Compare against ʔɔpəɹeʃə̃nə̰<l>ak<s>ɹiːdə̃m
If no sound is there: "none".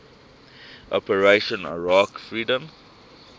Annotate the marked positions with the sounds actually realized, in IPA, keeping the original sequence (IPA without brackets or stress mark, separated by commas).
ɹ, f